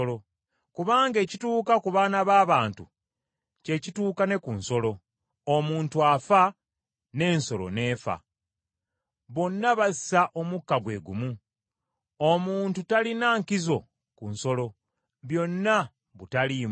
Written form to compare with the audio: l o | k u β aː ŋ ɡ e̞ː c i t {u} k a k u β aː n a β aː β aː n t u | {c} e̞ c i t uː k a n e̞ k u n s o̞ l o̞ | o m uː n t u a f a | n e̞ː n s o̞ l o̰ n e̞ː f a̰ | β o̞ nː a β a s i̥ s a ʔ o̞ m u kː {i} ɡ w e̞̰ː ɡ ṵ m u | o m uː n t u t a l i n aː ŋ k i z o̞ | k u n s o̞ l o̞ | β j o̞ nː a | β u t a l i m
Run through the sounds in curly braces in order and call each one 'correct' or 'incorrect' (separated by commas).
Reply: incorrect, correct, incorrect